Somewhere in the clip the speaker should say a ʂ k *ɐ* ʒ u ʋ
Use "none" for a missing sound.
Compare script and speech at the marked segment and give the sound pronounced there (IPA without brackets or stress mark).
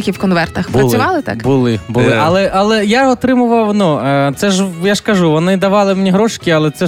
ɐ